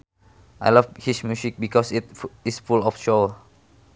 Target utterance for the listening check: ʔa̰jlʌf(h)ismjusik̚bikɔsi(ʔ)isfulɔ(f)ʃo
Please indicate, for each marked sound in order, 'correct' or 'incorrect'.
correct, incorrect: t, correct

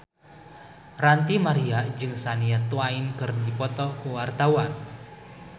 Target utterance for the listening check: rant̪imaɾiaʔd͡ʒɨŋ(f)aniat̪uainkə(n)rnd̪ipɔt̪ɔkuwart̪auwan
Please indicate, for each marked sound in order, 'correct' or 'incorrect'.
incorrect: s, incorrect: none

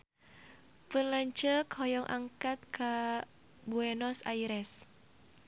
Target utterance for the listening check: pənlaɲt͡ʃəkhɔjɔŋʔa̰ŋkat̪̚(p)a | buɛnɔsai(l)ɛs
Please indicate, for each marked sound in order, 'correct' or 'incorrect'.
incorrect: k, incorrect: ɾ

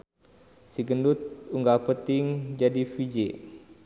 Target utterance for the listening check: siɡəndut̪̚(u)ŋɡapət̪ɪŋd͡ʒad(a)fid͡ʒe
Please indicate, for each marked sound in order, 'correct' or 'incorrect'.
correct, incorrect: i

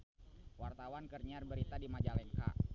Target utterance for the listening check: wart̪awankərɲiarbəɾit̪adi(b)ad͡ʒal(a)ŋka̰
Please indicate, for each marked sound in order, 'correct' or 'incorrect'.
incorrect: m, incorrect: ɛ

